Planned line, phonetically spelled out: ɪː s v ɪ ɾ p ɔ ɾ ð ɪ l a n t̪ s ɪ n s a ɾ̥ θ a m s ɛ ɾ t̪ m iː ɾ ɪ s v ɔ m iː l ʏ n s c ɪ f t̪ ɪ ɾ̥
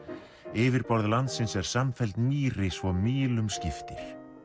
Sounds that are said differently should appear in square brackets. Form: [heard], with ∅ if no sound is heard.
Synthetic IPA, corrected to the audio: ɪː [∅] v ɪ ɾ p ɔ ɾ ð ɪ l a n t̪ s ɪ n s [ɛ] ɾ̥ [s] a m [f] ɛ [l] t̪ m iː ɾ ɪ s v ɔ m iː l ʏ [m] s c ɪ f t̪ ɪ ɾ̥

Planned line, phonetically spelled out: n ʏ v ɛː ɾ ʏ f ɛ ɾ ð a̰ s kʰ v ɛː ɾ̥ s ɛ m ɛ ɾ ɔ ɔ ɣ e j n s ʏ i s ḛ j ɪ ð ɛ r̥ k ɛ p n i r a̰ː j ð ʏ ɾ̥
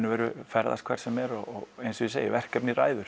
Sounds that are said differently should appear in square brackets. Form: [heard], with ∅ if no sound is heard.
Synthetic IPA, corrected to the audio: n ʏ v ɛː ɾ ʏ f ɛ ɾ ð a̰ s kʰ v [ɛ] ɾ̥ s ɛ m ɛ ɾ ɔ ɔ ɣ e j n s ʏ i s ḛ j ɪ [v] ɛ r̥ k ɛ p n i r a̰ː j ð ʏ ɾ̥

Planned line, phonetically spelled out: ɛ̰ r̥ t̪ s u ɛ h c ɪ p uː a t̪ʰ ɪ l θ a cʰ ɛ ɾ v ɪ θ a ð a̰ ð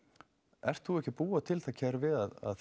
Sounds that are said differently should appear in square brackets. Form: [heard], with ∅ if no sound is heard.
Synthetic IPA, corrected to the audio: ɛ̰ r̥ t̪ [θ] u ɛ h c ɪ p uː a t̪ʰ ɪ l θ a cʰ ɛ ɾ v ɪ [ð] a ð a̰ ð

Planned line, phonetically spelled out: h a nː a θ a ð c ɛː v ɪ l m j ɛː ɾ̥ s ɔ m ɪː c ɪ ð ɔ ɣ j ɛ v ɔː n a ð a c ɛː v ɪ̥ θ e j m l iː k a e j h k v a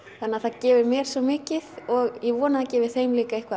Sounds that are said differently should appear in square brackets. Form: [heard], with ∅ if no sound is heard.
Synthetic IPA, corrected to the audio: [θ] a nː a θ a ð c ɛː v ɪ [ɾ] m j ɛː ɾ̥ s ɔ m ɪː c ɪ ð ɔ ɣ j ɛ v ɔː n a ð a c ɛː v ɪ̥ θ e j m l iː k a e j h k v a

